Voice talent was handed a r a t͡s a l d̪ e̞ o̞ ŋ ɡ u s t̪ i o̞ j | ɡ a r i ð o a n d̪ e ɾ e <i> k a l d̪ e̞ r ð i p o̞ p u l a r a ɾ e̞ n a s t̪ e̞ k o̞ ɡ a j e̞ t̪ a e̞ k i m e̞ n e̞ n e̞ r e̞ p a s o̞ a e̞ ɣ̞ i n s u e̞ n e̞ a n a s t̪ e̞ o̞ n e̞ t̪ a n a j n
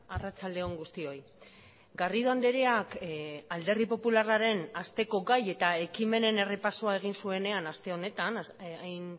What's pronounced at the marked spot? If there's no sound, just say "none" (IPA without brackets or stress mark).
a